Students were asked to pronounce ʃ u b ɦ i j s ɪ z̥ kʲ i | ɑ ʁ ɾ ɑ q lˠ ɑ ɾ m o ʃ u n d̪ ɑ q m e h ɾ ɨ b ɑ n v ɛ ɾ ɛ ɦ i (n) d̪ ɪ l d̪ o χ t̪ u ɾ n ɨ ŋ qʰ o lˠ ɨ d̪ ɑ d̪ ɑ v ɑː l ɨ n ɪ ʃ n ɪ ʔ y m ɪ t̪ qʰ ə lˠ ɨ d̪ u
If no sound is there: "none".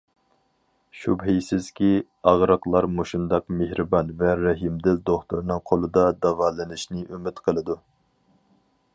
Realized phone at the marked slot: m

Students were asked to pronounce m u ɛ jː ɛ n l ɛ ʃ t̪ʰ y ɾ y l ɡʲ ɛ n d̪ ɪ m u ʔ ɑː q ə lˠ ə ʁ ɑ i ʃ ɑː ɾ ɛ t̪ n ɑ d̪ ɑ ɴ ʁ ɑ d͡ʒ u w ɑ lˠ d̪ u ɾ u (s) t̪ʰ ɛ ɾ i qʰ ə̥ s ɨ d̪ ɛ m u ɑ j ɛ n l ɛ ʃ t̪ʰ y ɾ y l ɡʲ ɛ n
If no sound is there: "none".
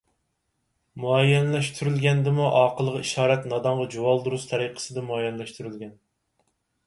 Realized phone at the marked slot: s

